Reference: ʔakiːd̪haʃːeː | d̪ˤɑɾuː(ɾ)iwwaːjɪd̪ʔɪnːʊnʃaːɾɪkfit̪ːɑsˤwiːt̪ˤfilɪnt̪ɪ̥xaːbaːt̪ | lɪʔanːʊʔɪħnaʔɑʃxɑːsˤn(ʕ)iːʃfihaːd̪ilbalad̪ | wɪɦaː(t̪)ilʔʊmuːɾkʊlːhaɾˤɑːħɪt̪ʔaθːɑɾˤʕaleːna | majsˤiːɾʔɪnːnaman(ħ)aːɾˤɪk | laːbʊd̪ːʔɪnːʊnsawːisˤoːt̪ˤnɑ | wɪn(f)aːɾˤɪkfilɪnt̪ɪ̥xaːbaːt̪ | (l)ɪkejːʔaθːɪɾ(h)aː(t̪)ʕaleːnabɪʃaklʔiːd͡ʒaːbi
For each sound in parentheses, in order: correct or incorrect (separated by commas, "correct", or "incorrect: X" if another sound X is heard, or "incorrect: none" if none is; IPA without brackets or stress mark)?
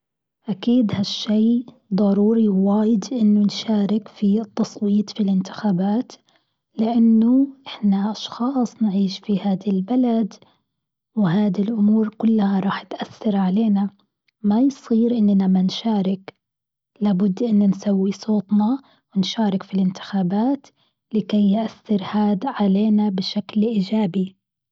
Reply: correct, correct, incorrect: d̪, incorrect: ʃ, incorrect: ʃ, correct, correct, incorrect: d̪